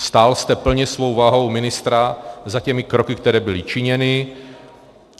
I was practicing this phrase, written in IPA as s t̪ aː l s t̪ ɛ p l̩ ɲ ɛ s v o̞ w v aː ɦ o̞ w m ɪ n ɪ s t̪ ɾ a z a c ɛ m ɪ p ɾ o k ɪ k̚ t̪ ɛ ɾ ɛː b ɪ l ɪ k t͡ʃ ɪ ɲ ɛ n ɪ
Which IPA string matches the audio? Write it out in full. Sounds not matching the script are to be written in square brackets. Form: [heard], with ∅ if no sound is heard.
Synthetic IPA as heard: s t̪ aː l s t̪ ɛ p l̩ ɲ ɛ s v o̞ w v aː ɦ o̞ w m ɪ n ɪ s t̪ ɾ a z a c ɛ m ɪ [k] ɾ o k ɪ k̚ t̪ ɛ ɾ ɛː b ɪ l ɪ [∅] t͡ʃ ɪ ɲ ɛ n ɪ